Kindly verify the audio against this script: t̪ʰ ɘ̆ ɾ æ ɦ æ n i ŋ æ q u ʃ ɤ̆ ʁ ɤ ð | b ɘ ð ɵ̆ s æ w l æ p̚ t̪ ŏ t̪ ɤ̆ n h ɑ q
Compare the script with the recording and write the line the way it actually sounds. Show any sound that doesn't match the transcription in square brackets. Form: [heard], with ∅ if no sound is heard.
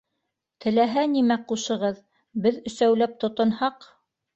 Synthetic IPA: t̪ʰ ɘ̆ [l] æ ɦ æ n i [m] æ q u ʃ ɤ̆ ʁ ɤ ð | b ɘ ð ɵ̆ s æ w l æ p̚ t̪ ŏ t̪ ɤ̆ n h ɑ q